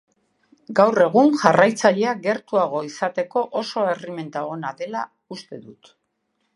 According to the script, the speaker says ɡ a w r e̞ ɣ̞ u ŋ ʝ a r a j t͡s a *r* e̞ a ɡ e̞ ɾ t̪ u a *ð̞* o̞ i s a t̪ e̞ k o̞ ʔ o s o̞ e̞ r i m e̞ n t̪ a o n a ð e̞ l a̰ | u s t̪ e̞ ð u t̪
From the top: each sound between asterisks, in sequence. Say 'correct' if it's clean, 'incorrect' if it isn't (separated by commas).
incorrect, incorrect